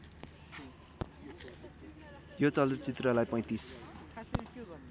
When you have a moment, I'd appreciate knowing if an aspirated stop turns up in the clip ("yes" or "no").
no